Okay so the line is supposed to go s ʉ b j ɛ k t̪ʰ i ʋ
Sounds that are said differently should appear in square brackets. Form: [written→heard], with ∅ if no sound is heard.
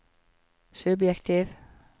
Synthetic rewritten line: s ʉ b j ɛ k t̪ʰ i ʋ